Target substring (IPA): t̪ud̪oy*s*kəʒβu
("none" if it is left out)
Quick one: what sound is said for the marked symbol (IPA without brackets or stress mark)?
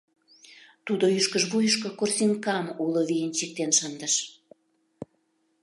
ʃ